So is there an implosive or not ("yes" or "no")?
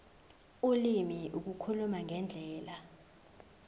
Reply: no